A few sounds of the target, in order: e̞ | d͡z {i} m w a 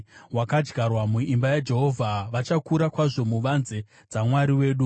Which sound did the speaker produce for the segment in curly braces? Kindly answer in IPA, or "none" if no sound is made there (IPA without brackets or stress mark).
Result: a